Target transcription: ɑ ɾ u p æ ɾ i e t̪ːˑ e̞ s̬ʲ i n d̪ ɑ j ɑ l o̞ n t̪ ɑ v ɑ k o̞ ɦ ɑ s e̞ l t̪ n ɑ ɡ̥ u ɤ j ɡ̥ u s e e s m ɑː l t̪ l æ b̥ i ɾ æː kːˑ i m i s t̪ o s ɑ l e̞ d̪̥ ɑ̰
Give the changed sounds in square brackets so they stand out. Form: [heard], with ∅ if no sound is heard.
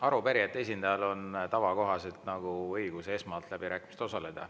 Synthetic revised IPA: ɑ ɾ u p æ ɾ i e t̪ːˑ e̞ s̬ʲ i n d̪ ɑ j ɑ l o̞ n t̪ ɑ v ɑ k o̞ ɦ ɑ s e̞ l t̪ n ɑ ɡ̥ u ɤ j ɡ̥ u s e e s m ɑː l t̪ l æ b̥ i ɾ æː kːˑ i m i s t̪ o s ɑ l e̞ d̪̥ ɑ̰